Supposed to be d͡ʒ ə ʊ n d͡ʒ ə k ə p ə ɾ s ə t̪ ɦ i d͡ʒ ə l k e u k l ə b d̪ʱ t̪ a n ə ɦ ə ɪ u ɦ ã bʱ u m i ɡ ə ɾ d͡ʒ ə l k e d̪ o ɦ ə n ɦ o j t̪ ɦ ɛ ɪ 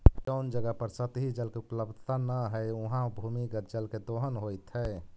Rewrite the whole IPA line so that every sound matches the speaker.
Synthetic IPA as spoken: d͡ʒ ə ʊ n d͡ʒ ə ɡ ə p ə ɾ s ə t̪ ɦ i d͡ʒ ə l k e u p l ə b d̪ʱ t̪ a n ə ɦ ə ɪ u ɦ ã bʱ u m i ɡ ə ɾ d͡ʒ ə l k e d̪ o ɦ ə n ɦ o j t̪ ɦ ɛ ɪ